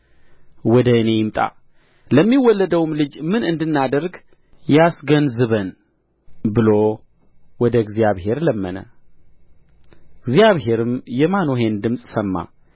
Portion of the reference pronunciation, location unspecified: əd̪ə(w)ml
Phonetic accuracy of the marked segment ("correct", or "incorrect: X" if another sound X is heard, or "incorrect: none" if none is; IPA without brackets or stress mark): correct